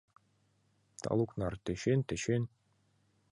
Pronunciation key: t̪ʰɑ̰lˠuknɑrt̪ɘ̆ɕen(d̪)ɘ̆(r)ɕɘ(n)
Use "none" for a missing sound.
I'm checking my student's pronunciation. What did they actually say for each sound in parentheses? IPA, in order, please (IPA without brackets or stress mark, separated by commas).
t̪, none, n